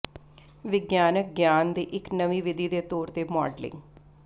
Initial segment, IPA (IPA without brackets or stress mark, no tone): ʋ